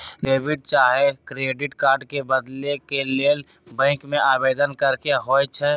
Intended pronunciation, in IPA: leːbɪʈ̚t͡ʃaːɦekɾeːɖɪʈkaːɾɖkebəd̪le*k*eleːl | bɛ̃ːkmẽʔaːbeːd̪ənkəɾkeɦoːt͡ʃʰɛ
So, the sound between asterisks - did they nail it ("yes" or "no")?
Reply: yes